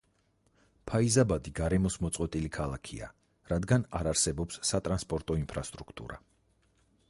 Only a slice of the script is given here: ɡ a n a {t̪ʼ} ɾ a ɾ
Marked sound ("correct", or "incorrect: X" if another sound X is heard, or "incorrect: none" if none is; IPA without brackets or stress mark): incorrect: none